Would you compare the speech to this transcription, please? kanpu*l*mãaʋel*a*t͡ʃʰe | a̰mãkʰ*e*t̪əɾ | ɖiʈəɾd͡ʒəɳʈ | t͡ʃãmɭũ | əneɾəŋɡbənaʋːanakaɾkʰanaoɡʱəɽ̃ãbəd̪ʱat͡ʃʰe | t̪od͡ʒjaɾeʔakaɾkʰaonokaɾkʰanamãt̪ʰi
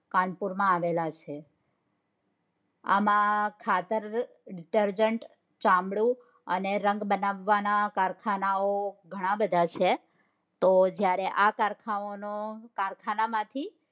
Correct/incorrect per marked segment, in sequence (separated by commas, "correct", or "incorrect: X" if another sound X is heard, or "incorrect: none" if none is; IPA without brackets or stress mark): incorrect: ɾ, correct, incorrect: a